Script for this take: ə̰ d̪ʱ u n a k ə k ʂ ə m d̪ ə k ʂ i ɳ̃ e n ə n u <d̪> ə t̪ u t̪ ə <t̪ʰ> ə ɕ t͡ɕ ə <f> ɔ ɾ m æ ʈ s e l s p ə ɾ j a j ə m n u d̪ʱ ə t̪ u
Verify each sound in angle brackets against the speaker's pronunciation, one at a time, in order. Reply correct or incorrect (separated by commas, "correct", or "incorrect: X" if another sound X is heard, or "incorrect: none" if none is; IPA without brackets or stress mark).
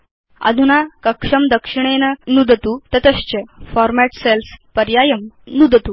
correct, incorrect: t̪, correct